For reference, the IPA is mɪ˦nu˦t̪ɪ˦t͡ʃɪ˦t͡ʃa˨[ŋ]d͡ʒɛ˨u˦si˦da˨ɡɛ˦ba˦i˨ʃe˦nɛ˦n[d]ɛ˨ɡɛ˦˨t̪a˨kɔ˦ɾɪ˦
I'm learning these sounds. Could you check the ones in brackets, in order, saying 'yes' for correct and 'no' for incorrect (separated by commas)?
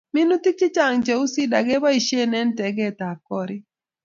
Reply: yes, no